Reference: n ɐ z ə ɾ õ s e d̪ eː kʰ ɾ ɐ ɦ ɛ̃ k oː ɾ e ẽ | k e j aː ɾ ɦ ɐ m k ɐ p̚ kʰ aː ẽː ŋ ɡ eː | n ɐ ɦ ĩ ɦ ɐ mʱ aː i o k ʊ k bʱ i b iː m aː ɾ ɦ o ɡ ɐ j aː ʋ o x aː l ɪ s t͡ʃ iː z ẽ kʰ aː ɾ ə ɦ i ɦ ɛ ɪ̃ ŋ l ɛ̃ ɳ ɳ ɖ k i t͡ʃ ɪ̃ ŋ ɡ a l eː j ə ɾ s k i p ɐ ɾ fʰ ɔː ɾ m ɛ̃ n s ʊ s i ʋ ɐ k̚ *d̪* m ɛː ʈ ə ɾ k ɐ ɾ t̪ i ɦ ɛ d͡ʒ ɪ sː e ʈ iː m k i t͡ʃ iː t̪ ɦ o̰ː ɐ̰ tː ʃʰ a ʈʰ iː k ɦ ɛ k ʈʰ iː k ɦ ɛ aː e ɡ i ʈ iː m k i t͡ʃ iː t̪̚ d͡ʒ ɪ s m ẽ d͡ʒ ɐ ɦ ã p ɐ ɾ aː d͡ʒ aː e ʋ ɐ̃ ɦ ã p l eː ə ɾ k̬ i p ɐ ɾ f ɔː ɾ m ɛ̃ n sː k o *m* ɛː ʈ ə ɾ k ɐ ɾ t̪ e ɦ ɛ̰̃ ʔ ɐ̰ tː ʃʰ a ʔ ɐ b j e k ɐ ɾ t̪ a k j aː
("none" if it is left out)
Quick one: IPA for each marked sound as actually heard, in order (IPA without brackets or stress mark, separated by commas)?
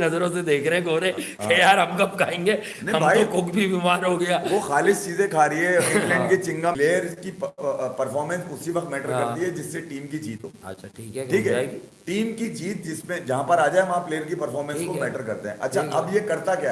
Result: t̪, m